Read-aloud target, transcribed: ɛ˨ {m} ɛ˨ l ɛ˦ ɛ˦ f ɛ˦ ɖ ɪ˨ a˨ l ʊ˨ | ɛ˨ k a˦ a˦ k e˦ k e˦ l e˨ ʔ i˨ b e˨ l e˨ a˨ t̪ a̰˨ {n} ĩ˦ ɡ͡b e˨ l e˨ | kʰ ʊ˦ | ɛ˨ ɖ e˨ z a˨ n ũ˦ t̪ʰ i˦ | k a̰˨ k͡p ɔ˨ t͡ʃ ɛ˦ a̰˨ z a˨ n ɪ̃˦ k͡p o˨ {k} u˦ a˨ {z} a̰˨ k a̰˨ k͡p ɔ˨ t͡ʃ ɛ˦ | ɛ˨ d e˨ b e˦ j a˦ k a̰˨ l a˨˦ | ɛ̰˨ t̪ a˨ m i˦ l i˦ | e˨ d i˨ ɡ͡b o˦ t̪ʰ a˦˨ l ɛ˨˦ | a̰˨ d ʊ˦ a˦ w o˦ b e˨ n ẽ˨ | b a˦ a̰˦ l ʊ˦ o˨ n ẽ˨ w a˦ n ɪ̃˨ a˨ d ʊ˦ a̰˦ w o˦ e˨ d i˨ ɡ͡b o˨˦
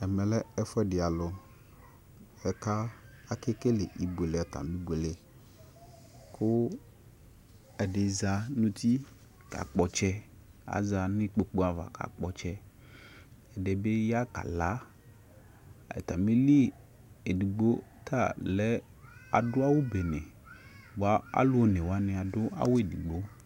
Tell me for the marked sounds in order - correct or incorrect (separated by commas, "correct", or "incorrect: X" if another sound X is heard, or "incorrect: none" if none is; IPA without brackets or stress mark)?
correct, incorrect: m, incorrect: k͡p, incorrect: v